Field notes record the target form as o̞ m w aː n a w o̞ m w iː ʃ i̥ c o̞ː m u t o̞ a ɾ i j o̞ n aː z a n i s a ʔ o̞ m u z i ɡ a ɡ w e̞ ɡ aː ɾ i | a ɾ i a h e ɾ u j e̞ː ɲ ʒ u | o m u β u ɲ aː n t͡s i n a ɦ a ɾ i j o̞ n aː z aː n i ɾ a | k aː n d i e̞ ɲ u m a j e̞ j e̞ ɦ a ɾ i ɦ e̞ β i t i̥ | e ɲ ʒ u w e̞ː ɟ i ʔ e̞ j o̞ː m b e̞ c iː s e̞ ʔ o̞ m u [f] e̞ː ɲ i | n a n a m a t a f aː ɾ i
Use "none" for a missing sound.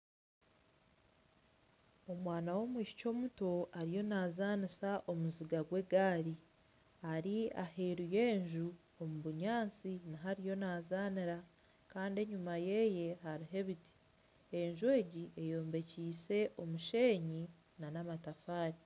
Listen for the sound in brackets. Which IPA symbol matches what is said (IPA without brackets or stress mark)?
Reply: ʃ